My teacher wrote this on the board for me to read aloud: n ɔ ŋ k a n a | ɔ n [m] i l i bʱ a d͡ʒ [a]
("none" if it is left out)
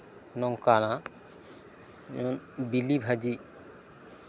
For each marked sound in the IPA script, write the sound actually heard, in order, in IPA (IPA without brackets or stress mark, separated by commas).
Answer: b, i